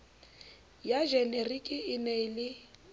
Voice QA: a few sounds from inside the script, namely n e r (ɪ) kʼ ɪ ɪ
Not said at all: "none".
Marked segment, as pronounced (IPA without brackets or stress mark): i